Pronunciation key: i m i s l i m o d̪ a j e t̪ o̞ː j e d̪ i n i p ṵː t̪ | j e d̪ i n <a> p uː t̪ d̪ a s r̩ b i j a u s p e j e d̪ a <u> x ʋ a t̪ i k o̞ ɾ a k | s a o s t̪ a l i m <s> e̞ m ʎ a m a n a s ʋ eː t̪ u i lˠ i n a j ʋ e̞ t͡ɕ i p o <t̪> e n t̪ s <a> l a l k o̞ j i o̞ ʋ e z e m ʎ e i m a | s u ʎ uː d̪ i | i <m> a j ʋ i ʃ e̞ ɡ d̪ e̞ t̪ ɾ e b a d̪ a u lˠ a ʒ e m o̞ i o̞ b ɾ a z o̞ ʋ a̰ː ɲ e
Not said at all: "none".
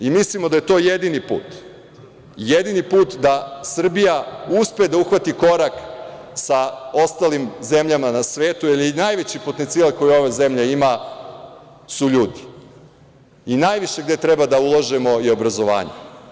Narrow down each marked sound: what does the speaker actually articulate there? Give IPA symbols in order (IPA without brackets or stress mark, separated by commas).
i, u, z, t̪, i, n